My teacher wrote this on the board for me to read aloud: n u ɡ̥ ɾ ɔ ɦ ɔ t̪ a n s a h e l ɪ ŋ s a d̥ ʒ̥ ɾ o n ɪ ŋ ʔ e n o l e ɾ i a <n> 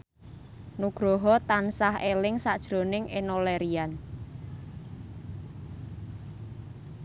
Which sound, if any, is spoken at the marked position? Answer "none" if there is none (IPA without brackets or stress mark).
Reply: n